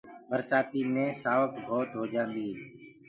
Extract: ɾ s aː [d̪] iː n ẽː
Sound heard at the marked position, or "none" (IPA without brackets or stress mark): t̪